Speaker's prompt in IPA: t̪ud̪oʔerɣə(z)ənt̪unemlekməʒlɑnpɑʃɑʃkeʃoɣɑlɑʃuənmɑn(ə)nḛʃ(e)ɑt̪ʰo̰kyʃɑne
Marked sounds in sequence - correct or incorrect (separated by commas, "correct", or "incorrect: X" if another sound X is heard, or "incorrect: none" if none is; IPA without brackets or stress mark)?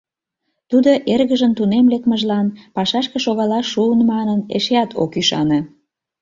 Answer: incorrect: ʒ, correct, correct